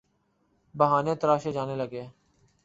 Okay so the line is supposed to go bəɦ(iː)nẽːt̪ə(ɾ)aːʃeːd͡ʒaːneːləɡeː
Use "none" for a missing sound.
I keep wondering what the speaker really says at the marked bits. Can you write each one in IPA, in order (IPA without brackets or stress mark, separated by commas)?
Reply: aː, ɾ